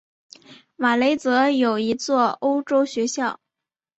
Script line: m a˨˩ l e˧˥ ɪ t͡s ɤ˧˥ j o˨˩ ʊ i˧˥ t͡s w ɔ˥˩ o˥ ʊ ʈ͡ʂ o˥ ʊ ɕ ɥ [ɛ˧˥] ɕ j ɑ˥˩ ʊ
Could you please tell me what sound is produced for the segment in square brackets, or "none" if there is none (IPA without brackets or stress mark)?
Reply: ɛ˧˥